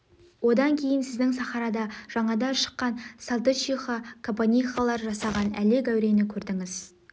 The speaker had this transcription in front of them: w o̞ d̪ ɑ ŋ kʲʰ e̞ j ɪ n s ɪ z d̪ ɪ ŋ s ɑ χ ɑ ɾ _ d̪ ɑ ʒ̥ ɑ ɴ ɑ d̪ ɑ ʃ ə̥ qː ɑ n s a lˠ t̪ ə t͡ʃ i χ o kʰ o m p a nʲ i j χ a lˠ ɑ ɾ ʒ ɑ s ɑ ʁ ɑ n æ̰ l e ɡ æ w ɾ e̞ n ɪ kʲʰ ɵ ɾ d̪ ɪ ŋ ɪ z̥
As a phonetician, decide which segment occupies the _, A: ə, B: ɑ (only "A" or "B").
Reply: B